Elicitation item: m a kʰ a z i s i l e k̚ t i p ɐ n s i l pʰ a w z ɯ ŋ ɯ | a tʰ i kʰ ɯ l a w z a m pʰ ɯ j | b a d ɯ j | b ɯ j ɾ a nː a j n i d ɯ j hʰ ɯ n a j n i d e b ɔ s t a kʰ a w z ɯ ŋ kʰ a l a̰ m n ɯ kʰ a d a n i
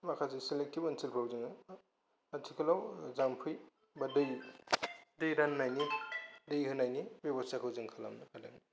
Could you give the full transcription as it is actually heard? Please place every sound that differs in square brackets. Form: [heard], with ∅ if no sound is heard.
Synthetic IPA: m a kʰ a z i s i l e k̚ t i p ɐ n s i l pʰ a w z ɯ ŋ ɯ | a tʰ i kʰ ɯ l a w z a m pʰ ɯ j | b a d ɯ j | [d] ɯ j ɾ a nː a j n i d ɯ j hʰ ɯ n a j n i [b] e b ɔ s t a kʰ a w z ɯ ŋ kʰ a l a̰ m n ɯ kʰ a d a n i